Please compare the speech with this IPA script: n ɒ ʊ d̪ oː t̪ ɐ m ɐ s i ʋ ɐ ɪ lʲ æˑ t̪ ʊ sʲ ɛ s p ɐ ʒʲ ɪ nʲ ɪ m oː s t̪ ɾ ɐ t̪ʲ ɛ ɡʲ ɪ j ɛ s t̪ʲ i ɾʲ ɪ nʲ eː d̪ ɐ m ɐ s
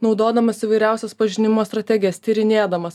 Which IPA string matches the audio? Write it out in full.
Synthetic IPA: n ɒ ʊ d̪ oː d̪ ɐ m ɐ s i ʋ ɐ ɪ ɾʲ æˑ ʊ sʲ ɛ s p ɐ ʒʲ ɪ nʲ ɪ m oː s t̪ ɾ ɐ t̪ʲ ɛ ɡʲ ɪ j ɛ s t̪ʲ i ɾʲ ɪ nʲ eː d̪ ɐ m ɐ s